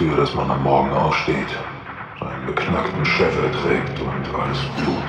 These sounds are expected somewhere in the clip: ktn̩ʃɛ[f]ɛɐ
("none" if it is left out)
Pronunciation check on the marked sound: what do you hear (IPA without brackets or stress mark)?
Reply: f